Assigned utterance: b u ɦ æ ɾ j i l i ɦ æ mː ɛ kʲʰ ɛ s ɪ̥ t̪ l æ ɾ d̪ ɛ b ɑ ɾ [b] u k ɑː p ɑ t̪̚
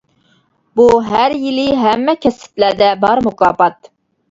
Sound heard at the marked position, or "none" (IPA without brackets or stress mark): m